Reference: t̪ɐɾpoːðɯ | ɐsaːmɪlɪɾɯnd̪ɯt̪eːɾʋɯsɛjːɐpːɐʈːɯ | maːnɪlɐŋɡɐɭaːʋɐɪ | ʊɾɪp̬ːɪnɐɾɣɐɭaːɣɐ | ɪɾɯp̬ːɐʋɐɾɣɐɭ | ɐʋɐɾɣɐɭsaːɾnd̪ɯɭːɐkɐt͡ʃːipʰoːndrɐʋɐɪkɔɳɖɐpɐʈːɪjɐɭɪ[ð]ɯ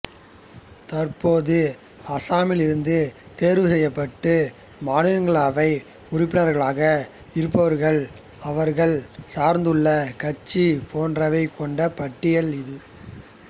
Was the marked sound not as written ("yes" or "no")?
no